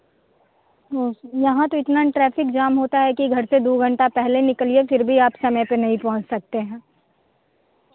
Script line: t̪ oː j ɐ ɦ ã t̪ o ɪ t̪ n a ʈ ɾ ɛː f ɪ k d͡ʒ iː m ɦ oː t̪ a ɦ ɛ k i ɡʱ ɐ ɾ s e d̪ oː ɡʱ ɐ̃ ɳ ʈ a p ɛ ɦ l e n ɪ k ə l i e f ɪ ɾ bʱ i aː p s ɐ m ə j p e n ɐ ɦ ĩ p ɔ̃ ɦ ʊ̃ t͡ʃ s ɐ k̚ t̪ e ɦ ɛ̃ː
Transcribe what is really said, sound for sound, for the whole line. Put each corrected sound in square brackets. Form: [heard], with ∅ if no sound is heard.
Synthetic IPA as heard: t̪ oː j ɐ ɦ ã t̪ o ɪ t̪ n a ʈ ɾ ɛː f ɪ k d͡ʒ [aː] m ɦ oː t̪ a ɦ ɛ k i ɡʱ ɐ ɾ s e d̪ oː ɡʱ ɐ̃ ɳ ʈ a p ɛ ɦ l e n ɪ k ə l i e f ɪ ɾ bʱ i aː p s ɐ m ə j p e n ɐ ɦ ĩ p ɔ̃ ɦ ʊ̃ t͡ʃ s ɐ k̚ t̪ e ɦ ɛ̃ː